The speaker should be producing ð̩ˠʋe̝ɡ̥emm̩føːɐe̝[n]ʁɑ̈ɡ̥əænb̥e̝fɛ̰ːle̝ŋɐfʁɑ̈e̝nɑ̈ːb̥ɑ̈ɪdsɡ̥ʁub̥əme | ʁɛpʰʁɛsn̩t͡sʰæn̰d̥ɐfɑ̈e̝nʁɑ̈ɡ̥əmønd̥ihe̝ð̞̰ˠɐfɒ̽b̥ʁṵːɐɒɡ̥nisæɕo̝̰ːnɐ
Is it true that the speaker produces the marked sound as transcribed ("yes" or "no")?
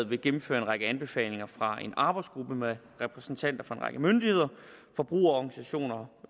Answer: yes